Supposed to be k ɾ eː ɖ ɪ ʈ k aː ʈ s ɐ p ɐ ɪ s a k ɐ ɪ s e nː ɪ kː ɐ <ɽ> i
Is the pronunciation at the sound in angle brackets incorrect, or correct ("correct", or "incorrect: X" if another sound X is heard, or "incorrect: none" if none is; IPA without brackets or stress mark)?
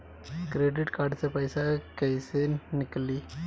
incorrect: l